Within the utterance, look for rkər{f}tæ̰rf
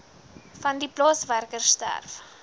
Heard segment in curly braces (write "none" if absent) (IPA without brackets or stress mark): s